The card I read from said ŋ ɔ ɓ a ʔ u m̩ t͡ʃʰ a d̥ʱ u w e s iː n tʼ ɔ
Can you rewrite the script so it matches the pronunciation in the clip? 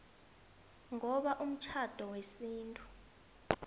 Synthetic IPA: ŋ ɔ ɓ a ʔ u m̩ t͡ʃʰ a d̥ʱ ɔ w e s iː n tʼ u